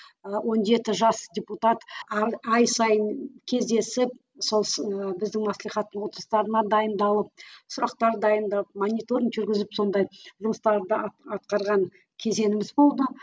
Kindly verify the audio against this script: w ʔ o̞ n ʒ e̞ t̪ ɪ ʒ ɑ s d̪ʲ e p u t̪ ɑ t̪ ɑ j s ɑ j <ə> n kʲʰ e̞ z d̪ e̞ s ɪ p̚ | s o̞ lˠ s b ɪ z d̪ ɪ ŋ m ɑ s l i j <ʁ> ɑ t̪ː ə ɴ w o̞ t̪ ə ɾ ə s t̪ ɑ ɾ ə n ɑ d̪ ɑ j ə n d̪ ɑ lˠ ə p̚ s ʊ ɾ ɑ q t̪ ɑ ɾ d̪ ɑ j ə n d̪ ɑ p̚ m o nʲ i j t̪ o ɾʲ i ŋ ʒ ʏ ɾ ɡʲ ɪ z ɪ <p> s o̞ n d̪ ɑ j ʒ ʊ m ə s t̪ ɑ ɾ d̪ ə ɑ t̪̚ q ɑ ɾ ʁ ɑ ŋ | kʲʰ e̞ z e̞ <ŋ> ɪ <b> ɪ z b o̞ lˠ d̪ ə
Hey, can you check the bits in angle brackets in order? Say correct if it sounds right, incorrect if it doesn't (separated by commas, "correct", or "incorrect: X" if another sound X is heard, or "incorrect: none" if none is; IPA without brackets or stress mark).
correct, incorrect: χ, correct, incorrect: n, incorrect: m